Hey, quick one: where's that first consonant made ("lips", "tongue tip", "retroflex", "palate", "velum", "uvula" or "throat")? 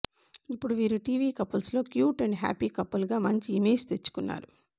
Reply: lips